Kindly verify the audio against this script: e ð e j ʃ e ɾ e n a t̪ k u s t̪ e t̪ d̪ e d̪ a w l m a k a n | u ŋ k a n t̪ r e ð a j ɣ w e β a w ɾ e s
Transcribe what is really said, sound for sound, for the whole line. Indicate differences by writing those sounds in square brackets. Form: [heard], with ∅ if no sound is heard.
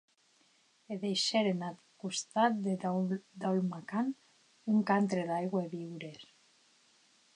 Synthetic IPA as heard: e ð e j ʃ e ɾ e n a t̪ k u s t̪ [a] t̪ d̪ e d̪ a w l m a k a n | u ŋ k a n t̪ [ɾ] e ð a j ɣ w e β [i] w ɾ e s